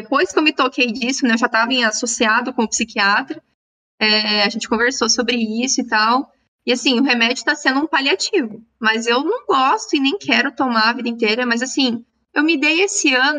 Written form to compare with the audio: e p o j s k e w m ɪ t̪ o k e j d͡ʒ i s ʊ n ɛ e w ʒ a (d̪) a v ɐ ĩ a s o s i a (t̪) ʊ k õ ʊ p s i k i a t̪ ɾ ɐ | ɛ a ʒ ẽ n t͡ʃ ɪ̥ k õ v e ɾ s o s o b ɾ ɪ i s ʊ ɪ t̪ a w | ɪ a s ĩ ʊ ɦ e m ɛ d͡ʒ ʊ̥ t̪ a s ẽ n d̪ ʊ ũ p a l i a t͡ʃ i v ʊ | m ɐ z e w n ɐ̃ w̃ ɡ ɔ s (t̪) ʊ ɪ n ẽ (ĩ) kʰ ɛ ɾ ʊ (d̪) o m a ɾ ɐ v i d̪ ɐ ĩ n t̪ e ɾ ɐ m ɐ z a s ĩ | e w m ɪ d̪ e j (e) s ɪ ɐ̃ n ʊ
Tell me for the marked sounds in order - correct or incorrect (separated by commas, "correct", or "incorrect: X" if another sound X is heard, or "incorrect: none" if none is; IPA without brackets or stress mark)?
incorrect: t̪, incorrect: d̪, correct, incorrect: j̃, incorrect: t̪, correct